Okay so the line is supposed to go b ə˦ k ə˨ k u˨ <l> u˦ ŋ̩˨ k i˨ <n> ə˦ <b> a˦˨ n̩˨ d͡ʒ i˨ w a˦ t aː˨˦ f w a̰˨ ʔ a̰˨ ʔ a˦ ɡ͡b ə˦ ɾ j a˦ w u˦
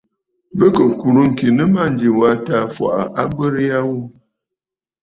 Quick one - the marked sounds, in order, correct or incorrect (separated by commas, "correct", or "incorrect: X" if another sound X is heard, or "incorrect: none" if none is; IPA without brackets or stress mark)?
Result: incorrect: ɾ, correct, incorrect: m